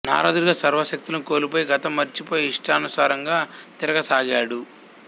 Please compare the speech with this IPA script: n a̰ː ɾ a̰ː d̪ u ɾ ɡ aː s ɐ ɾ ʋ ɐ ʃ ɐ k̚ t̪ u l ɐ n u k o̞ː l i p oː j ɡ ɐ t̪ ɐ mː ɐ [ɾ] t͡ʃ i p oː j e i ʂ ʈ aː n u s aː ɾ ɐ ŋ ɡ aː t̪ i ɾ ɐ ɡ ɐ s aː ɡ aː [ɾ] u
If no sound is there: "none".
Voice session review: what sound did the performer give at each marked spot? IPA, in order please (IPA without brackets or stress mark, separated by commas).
ɾ, ɽ